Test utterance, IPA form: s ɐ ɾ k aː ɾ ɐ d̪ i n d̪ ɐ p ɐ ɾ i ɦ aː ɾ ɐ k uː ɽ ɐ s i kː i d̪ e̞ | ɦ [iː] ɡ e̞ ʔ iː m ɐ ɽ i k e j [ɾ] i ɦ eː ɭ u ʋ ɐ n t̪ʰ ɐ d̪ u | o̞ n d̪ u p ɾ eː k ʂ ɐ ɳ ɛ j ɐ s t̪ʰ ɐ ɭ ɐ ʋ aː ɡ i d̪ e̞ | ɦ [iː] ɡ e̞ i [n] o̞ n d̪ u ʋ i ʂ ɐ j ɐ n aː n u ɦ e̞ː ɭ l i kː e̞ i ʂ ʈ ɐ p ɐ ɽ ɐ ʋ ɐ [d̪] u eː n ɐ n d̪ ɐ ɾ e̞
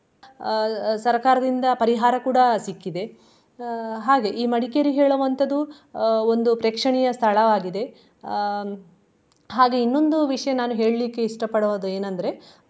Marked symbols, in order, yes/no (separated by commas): no, yes, no, no, yes